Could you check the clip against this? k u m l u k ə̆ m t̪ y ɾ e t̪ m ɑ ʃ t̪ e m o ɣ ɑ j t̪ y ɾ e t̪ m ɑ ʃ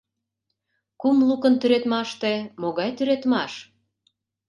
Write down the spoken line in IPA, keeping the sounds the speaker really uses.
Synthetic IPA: k u m l u k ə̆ n t̪ y ɾ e t̪ m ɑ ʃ t̪ e m o ɣ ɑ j t̪ y ɾ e t̪ m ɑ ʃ